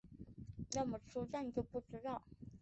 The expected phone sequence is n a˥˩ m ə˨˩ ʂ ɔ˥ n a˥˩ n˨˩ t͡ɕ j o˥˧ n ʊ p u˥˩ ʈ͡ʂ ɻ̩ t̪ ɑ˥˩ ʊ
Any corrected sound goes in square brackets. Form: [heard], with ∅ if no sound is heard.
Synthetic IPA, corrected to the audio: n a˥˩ m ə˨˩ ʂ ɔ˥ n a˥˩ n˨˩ t͡ɕ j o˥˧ [∅] ʊ p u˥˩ ʈ͡ʂ ɻ̩ t̪ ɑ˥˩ ʊ